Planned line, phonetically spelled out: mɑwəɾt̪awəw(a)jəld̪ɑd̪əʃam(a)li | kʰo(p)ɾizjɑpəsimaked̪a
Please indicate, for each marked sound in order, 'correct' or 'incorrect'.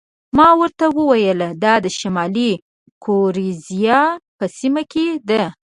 correct, incorrect: ɑ, incorrect: none

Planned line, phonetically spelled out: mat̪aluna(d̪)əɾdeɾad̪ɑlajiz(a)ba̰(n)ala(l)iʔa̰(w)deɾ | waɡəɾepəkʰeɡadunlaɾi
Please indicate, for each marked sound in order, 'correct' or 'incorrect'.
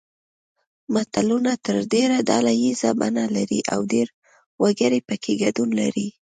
incorrect: t̪, correct, correct, incorrect: ɾ, correct

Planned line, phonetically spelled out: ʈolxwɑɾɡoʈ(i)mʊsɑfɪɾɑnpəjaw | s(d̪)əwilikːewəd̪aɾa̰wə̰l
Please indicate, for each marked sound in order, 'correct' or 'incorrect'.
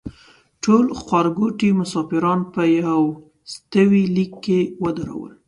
correct, incorrect: t̪

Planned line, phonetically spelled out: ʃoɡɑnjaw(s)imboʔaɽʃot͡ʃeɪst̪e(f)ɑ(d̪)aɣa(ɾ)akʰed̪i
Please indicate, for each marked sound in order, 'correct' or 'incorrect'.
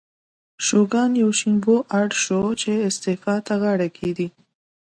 incorrect: ʃ, correct, incorrect: t̪, incorrect: ɽ

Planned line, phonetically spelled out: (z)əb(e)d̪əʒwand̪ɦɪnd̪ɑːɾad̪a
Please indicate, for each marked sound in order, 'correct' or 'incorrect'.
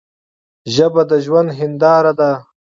incorrect: ʒ, incorrect: a

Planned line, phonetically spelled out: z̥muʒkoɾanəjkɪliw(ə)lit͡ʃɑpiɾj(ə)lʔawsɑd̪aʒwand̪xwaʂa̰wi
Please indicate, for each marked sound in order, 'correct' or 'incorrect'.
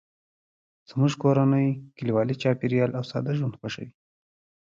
incorrect: ɑ, incorrect: ɑ

